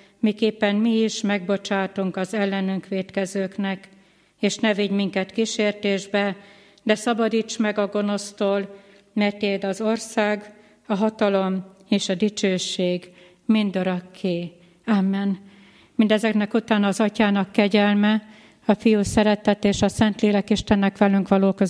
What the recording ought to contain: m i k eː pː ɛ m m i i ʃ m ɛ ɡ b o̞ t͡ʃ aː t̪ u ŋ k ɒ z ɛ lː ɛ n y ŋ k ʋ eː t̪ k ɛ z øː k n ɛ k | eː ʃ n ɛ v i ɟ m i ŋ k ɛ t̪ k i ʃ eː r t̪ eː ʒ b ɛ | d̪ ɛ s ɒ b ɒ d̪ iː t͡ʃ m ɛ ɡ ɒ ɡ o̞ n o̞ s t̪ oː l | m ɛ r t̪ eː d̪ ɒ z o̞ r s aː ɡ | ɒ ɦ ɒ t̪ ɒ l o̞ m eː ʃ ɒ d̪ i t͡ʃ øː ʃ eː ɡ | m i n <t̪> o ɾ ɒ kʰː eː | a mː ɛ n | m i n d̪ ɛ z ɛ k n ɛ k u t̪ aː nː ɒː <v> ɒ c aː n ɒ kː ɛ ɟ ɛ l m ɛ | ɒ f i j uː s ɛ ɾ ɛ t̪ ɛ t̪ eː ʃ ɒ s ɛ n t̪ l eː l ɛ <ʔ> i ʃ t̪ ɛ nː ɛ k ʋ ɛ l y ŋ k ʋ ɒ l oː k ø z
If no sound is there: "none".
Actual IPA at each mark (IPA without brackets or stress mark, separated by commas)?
d̪, z, k